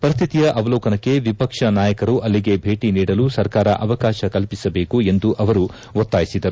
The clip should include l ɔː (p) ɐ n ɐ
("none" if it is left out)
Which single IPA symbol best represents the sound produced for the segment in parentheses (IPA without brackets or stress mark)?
k